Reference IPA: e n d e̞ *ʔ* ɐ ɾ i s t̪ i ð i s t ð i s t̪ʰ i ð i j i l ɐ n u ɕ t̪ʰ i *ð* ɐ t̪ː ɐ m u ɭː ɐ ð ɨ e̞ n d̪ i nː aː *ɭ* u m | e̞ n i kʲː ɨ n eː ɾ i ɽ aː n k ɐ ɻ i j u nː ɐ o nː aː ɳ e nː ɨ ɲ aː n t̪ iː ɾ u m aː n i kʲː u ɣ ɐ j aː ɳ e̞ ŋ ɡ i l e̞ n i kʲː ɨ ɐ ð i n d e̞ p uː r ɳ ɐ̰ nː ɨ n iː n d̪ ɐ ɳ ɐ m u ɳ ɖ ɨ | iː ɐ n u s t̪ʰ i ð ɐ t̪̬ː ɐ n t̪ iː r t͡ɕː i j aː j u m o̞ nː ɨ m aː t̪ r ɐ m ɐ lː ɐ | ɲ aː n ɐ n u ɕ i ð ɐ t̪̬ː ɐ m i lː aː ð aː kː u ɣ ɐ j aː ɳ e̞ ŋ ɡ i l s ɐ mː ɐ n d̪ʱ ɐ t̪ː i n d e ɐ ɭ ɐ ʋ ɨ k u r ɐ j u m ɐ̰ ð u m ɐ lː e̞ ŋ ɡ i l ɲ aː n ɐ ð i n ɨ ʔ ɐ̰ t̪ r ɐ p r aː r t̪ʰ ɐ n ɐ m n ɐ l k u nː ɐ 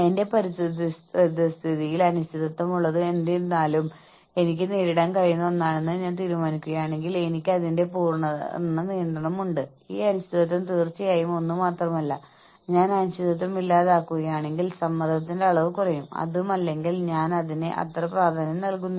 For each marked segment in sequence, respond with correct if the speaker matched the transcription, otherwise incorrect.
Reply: incorrect, correct, incorrect

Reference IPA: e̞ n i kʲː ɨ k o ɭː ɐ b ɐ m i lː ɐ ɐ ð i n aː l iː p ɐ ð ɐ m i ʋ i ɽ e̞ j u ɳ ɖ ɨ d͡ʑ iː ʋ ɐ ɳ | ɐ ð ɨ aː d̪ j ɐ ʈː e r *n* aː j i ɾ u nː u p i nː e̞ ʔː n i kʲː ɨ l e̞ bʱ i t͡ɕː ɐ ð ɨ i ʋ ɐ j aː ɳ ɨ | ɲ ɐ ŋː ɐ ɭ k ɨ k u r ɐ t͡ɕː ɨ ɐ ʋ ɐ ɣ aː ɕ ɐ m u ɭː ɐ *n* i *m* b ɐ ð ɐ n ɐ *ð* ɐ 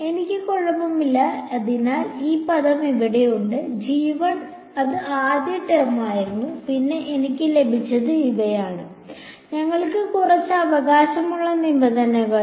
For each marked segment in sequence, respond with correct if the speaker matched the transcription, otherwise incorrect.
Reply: incorrect, correct, correct, incorrect

